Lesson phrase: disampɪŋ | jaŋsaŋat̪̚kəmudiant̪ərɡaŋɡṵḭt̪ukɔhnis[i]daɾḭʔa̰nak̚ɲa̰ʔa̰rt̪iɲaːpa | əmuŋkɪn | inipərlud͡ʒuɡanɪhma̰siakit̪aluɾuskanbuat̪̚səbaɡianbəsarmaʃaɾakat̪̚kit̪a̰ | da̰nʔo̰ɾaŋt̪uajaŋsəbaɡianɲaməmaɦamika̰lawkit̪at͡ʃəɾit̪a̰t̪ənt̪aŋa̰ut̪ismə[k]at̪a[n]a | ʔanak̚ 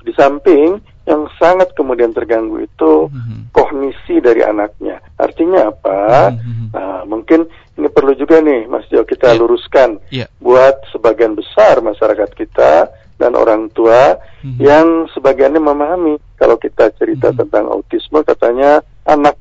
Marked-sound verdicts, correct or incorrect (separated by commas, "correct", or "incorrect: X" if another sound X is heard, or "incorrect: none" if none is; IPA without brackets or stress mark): correct, correct, incorrect: ɲ